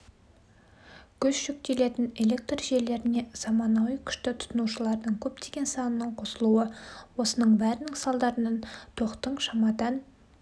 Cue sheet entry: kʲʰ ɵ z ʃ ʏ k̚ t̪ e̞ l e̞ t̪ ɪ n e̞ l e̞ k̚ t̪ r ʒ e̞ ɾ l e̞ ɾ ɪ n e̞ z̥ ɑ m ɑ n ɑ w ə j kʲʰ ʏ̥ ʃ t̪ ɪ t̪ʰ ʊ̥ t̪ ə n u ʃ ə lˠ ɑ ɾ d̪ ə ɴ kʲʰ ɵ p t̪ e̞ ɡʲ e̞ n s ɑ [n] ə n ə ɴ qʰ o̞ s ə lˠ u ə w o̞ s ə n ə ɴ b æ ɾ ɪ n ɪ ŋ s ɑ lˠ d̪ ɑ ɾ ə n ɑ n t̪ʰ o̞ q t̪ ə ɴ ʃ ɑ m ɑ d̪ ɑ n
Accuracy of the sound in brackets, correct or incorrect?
correct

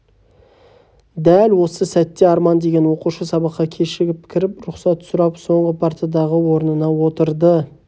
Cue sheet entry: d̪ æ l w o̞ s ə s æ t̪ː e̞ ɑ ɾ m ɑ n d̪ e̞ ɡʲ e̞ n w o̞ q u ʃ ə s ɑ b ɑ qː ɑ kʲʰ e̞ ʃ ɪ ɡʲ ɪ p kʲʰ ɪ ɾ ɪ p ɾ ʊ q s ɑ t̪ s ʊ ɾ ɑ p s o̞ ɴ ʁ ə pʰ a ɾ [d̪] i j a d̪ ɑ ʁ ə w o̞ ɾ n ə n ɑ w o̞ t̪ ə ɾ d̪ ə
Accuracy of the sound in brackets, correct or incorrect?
incorrect: t̪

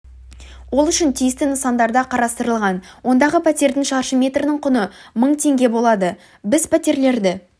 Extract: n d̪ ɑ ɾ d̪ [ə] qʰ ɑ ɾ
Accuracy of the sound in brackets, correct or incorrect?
incorrect: ɑ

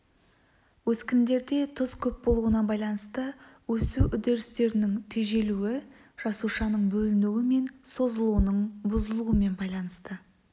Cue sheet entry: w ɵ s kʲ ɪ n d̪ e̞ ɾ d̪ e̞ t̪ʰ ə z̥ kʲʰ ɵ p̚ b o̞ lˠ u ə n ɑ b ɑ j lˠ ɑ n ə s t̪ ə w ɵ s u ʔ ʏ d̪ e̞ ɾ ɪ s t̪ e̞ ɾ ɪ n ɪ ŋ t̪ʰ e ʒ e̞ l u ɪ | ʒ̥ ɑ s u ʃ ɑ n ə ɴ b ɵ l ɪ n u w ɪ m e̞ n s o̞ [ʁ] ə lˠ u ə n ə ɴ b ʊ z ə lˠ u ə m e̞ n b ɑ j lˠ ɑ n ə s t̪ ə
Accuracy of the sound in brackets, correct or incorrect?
incorrect: z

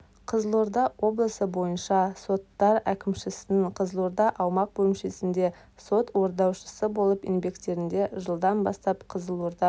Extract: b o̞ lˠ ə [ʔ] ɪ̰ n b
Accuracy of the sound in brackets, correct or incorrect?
incorrect: p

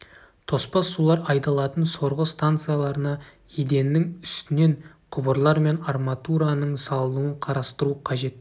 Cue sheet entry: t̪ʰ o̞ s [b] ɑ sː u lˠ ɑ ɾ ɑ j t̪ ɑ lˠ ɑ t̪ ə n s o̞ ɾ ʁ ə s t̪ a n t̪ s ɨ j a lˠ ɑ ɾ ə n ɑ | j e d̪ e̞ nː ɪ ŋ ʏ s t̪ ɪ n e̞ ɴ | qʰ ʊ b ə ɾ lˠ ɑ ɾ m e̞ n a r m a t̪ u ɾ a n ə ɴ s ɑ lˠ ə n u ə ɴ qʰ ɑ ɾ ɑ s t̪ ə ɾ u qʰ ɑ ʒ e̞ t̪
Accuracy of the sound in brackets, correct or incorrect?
incorrect: p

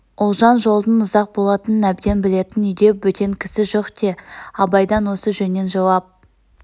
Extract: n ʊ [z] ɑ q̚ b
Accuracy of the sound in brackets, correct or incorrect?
correct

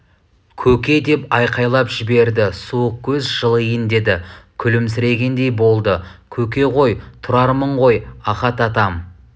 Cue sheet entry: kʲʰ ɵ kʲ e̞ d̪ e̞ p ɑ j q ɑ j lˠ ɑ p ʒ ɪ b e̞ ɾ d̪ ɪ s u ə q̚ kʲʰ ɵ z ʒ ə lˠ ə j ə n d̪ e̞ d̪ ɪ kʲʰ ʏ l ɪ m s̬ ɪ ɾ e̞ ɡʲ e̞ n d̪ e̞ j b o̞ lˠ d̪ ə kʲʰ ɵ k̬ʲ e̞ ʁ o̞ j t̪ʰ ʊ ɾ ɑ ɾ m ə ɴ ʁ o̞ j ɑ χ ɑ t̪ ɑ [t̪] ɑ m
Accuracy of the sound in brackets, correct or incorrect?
correct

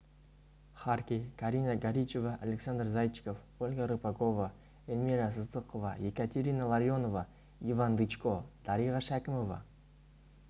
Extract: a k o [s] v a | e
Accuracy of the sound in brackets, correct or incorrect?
incorrect: none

